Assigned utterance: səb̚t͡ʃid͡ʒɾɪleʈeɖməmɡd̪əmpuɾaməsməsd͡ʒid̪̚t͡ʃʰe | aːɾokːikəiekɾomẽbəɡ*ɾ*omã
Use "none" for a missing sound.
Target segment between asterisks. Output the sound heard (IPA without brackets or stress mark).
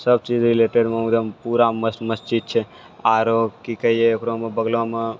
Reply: l